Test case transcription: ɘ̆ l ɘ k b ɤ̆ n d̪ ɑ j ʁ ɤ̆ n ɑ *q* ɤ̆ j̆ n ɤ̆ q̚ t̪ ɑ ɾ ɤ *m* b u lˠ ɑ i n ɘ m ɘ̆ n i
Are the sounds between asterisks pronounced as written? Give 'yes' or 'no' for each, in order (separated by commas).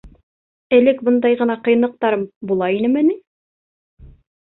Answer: yes, yes